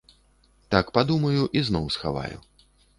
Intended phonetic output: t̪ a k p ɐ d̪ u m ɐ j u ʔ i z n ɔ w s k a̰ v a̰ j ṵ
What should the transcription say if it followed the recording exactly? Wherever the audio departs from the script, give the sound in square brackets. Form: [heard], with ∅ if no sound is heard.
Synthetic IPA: t̪ a k p [a] d̪ u m ɐ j u ʔ i z n ɔ w s [x] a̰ v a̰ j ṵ